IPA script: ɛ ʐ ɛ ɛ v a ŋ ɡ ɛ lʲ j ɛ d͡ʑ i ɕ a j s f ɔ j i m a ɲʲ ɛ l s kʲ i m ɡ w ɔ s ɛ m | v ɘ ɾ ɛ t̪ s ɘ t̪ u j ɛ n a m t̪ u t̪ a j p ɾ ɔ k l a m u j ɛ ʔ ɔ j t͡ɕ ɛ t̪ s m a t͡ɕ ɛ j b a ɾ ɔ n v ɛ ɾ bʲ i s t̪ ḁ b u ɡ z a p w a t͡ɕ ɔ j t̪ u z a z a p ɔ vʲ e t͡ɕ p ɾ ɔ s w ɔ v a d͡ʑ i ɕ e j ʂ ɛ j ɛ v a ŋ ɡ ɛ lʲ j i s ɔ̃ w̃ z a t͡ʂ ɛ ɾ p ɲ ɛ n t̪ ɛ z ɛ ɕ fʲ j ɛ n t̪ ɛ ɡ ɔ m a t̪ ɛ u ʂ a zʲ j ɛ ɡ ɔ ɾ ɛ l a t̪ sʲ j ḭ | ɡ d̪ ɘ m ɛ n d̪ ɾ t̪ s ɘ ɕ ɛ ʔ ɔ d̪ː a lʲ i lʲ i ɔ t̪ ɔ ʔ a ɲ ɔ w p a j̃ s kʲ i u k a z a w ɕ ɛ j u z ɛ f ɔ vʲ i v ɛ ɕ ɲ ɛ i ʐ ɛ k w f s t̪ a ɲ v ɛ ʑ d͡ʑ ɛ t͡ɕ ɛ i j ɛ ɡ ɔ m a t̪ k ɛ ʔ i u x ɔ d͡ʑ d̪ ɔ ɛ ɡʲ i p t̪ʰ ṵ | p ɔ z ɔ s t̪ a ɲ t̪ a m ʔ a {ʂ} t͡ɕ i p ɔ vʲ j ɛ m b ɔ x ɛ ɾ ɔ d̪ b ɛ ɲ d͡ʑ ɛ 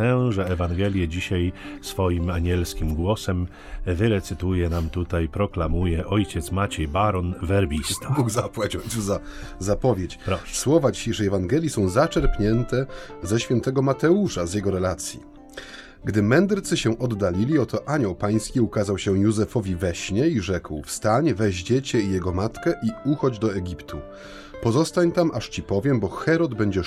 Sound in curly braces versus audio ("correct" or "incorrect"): correct